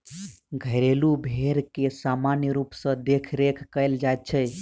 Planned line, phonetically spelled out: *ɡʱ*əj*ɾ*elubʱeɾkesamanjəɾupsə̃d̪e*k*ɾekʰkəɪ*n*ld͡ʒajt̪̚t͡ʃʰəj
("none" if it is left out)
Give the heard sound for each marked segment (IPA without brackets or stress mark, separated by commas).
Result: ɡʱ, ɾ, kʰ, none